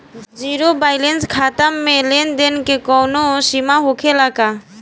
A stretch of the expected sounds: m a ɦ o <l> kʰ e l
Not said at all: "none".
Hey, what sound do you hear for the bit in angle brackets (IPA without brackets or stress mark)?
none